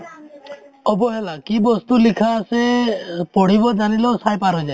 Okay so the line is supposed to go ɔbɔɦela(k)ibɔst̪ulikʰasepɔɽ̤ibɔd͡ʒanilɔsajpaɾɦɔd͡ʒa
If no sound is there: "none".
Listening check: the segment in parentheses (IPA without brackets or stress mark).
k